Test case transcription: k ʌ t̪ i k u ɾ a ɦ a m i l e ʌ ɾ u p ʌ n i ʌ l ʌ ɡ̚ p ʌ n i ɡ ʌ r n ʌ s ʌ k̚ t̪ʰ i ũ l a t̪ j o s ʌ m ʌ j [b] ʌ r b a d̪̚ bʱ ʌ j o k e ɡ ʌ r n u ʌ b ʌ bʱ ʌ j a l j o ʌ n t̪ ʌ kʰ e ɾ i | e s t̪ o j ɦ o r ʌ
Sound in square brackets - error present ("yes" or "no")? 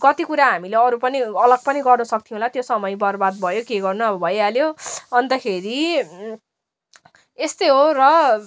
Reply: no